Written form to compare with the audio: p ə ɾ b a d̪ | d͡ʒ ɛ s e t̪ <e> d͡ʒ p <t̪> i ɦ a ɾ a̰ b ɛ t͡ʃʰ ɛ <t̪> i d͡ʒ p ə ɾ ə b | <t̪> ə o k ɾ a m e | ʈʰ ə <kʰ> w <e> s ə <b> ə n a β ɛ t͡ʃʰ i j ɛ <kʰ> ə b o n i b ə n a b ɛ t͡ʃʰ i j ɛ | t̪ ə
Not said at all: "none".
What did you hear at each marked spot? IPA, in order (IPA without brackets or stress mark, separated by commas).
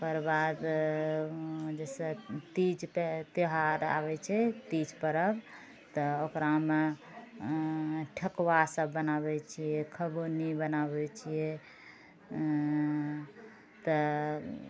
i, t̪, t̪, t̪, k, a, bː, kʰ